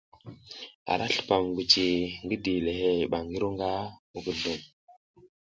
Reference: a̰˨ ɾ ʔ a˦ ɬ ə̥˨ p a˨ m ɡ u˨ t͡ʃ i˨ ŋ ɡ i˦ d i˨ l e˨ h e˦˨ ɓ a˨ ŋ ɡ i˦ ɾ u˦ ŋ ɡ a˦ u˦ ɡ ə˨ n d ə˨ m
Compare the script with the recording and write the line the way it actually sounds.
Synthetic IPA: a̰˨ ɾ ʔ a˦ ɬ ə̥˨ p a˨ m ɡ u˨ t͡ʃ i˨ ŋ ɡ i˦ d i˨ l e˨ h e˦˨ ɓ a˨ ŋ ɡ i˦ ɾ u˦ ŋ ɡ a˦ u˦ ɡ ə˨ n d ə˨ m